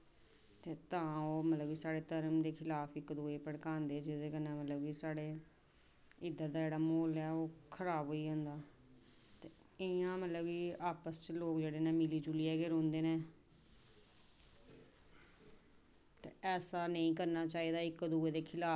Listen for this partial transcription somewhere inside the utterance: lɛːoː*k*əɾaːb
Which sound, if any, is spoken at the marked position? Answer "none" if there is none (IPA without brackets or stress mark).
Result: kʰ